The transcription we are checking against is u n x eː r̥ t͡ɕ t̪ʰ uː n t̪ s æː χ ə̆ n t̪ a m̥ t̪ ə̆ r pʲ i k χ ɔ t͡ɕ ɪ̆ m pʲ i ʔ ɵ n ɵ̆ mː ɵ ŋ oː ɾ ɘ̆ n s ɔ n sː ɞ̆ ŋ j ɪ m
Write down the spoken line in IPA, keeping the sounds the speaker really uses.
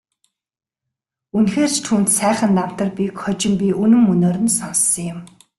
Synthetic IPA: u n x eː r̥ t͡ɕ t̪ʰ uː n t̪ s æː χ ə̆ n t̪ a m̥ t̪ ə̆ r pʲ i k χ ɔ t͡ɕ ɪ̆ m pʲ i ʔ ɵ n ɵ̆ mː ɵ n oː ɾ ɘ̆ n s ɔ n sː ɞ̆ ŋ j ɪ m